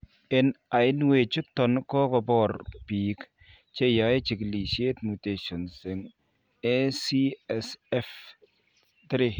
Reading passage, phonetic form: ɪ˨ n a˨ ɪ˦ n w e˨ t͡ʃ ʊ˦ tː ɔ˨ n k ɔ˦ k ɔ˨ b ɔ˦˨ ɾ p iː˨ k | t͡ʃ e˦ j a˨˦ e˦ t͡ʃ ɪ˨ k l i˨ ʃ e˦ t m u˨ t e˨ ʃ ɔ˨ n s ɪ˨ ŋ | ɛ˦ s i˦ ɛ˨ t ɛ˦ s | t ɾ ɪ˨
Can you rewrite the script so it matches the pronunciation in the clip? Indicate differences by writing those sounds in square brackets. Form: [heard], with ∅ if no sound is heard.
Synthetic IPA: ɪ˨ n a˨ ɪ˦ n w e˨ t͡ʃ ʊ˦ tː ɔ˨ n k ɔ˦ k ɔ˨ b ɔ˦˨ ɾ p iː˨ k | t͡ʃ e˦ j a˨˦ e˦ t͡ʃ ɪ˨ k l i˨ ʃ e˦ t m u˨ t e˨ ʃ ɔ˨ n s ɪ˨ ŋ | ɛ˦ s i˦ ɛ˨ [s] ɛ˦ [f] | t ɾ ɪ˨